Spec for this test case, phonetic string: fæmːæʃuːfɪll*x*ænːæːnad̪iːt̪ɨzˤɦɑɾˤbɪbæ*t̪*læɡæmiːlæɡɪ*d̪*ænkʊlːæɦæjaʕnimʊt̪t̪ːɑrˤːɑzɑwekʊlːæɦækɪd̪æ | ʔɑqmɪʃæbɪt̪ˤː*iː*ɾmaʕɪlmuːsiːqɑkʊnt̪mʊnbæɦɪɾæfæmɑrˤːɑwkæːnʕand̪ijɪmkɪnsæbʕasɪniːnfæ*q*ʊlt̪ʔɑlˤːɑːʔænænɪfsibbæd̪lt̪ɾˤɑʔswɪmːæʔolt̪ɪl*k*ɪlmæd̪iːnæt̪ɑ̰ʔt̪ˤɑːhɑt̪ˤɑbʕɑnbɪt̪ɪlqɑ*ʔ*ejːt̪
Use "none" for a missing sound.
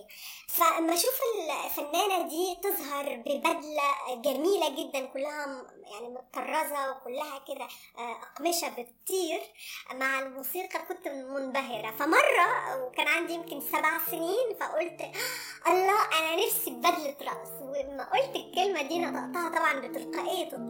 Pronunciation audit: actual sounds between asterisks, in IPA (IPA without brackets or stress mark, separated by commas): f, d̪, d̪ː, iː, ʔ, k, ʔ